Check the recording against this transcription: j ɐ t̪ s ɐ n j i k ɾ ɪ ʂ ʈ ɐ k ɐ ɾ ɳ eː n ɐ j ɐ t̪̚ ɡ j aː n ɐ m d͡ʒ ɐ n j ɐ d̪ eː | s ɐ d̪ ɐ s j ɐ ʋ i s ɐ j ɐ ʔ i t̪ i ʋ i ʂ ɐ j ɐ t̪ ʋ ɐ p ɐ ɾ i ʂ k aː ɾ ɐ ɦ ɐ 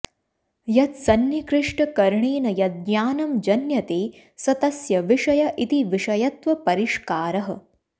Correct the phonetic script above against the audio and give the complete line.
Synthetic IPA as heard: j ɐ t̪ s ɐ n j i k ɾ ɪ ʂ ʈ ɐ k ɐ ɾ ɳ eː n ɐ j ɐ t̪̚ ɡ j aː n ɐ m d͡ʒ ɐ n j ɐ t̪ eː | s ɐ t̪ ɐ s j ɐ ʋ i ʂ ɐ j ɐ ʔ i t̪ i ʋ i ʂ ɐ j ɐ t̪ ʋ ɐ p ɐ ɾ i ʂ k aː ɾ ɐ ɦ ɐ